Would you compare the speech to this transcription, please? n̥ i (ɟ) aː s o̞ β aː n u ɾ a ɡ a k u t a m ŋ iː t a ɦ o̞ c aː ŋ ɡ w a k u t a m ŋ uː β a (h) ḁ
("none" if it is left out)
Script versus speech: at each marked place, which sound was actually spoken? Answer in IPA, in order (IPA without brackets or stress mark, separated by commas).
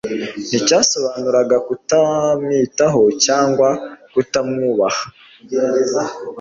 c, h